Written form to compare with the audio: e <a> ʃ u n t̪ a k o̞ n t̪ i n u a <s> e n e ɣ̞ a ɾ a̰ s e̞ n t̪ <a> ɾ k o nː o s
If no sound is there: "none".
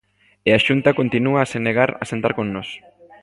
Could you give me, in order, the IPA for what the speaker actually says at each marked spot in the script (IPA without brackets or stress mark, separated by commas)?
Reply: a, s, a